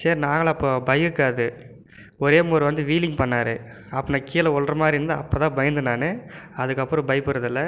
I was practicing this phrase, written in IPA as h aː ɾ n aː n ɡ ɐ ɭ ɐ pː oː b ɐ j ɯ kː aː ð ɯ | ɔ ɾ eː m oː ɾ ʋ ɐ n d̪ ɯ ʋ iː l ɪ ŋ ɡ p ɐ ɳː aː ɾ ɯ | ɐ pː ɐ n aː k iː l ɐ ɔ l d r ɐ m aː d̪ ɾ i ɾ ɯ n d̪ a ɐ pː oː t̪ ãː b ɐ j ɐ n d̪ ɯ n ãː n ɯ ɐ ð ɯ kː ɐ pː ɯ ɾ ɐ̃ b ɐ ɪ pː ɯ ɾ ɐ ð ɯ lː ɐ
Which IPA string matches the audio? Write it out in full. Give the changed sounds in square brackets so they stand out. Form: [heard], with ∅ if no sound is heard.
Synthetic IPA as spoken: [s] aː ɾ n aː [ŋ] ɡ ɐ ɭ ɐ pː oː b ɐ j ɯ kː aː ð ɯ | ɔ ɾ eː m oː ɾ ʋ ɐ n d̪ ɯ ʋ iː l ɪ ŋ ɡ p ɐ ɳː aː ɾ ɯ | ɐ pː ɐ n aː k iː l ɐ ɔ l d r ɐ m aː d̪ ɾ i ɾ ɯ n d̪ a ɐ pː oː t̪ ãː b ɐ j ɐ n d̪ ɯ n [aː] n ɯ ɐ ð ɯ kː ɐ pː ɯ ɾ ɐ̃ b ɐ ɪ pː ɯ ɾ ɐ ð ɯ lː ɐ

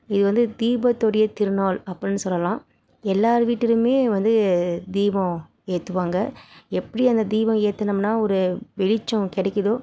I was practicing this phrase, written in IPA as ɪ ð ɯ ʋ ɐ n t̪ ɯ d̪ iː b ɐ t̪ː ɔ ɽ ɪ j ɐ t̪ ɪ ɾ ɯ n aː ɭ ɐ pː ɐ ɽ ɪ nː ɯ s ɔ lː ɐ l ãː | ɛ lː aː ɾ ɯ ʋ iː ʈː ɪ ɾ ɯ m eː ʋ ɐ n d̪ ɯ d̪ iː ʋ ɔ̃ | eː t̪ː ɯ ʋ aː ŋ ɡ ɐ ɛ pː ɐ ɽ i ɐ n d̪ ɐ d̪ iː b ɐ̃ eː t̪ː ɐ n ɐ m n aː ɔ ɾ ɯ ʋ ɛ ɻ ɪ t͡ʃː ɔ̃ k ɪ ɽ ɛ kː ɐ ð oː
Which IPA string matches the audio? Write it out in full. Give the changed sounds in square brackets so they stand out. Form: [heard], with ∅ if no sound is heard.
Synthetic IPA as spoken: ɪ ð ɯ ʋ ɐ n [d̪] ɯ d̪ iː b ɐ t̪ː ɔ ɽ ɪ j ɐ t̪ ɪ ɾ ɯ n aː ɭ ɐ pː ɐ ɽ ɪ nː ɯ s ɔ lː ɐ l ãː | ɛ lː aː ɾ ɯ ʋ iː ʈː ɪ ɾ ɯ m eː ʋ ɐ n d̪ ɯ d̪ iː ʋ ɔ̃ | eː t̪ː ɯ ʋ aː ŋ ɡ ɐ ɛ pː ɐ ɽ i ɐ n d̪ ɐ d̪ iː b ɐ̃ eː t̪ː ɐ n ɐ m n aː ɔ ɾ ɯ ʋ ɛ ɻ ɪ t͡ʃː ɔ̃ k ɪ ɽ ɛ kː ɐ ð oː

